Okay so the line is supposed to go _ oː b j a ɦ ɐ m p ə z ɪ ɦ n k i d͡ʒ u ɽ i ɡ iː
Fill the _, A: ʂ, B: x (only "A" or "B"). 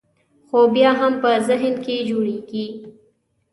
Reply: B